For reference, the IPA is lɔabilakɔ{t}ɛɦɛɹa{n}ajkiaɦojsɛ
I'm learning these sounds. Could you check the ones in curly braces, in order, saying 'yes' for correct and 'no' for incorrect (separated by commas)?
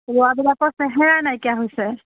no, yes